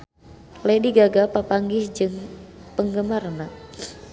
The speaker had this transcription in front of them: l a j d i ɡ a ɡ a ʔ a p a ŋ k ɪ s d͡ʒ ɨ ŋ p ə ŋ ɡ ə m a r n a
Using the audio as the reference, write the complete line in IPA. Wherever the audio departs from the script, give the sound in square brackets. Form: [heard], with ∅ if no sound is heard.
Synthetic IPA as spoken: l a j d i ɡ a ɡ a [p] a p a ŋ [ɡ] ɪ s d͡ʒ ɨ ŋ p ə ŋ ɡ ə m a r n a